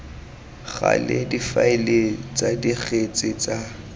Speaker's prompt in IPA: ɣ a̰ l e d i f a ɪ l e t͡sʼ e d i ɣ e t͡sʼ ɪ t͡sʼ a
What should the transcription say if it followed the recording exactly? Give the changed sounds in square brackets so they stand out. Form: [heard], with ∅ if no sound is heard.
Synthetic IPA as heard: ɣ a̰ l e d i f a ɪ l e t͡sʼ [a] d i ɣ e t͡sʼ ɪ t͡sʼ a